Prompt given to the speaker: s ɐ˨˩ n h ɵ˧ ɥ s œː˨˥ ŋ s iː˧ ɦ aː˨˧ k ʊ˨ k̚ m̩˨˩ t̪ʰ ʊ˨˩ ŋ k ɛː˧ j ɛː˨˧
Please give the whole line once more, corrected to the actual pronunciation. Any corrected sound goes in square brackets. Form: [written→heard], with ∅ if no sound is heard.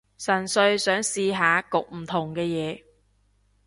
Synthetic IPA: s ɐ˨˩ n [h→s] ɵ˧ ɥ s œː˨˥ ŋ s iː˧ ɦ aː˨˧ k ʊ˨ k̚ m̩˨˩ t̪ʰ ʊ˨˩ ŋ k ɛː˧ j ɛː˨˧